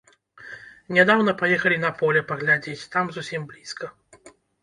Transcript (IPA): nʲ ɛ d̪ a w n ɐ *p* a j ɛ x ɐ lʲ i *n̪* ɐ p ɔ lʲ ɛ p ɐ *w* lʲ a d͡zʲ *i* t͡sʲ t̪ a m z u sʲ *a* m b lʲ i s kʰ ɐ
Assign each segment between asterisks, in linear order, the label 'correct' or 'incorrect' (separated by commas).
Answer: correct, correct, incorrect, incorrect, incorrect